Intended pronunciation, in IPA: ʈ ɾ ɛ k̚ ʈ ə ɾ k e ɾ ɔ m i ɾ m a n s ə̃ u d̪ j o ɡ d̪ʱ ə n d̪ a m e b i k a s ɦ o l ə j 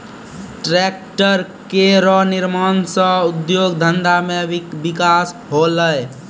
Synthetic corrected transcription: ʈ ɾ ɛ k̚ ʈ ə ɾ k e ɾ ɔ n i ɾ m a n s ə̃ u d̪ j o ɡ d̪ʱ ə n d̪ a m e b i k a s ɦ o l ə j